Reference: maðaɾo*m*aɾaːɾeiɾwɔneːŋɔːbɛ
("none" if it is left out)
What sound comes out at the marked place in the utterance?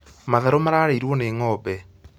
m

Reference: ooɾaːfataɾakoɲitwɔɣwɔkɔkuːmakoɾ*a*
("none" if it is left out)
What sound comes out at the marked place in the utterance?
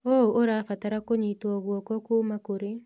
e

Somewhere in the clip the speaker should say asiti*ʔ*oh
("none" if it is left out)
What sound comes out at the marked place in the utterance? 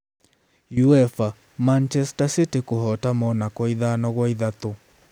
k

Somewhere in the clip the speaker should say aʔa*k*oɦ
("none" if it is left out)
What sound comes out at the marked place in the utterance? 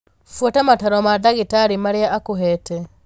k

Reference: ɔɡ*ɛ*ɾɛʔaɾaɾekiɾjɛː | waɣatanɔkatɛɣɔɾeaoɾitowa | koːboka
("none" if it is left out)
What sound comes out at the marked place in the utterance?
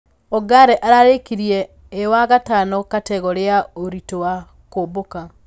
a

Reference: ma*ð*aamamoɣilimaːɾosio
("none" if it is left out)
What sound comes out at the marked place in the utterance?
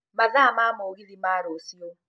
z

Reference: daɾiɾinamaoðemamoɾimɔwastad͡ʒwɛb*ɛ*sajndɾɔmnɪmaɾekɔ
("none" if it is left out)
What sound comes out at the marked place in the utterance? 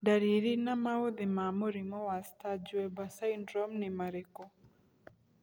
a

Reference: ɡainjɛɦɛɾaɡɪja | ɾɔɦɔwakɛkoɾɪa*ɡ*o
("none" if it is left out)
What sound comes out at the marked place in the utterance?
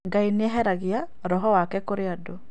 d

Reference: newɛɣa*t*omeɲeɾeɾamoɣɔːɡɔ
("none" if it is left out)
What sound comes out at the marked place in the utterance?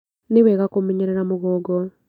k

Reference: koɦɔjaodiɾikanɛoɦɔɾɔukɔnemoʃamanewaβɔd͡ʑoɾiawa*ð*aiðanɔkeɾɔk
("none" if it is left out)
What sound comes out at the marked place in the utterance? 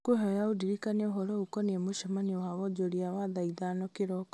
ð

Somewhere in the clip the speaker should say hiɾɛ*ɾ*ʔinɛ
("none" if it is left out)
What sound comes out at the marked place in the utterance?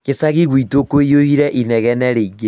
none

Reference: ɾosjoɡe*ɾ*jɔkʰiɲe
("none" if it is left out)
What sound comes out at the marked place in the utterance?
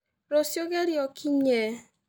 ɾ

